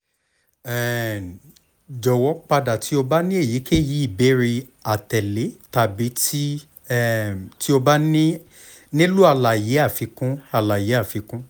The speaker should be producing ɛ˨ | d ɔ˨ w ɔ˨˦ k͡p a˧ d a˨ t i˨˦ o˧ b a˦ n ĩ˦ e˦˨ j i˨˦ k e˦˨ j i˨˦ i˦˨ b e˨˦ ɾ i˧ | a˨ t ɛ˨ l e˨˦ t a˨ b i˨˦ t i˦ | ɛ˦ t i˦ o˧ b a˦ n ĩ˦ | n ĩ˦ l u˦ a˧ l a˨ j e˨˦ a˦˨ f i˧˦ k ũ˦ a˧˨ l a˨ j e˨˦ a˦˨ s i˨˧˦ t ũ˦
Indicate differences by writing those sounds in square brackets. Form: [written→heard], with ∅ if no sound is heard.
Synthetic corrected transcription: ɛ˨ | [d→d͡ʒ] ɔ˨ w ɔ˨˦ k͡p a˧ d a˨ t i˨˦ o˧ b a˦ n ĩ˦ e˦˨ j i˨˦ k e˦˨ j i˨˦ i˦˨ b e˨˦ ɾ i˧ | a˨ t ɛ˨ l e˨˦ t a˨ b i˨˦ t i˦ | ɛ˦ t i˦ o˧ b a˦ n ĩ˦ | n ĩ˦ l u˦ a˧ l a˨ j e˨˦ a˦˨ f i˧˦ k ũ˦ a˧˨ l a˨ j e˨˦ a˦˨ [s→f] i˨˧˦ [t→k] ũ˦